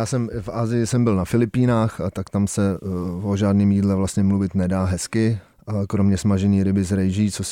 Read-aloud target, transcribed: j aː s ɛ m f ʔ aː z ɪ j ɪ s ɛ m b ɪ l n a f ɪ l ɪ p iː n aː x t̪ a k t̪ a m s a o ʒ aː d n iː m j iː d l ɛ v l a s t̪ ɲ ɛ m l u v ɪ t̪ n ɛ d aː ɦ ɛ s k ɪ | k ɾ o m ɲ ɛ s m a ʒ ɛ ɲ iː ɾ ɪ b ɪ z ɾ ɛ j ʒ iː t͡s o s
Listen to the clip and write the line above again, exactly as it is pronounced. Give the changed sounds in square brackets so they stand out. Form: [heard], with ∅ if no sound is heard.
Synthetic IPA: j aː s ɛ m f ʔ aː z ɪ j ɪ s ɛ m b ɪ l n a f ɪ l ɪ p iː n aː x t̪ a k t̪ a m s [ɛ] o ʒ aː d n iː m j iː d l ɛ v l a s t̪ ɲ ɛ m l u v ɪ t̪ n ɛ d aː ɦ ɛ s k ɪ | k ɾ o m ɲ ɛ s m a ʒ ɛ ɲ iː ɾ ɪ b ɪ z ɾ ɛ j ʒ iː t͡s o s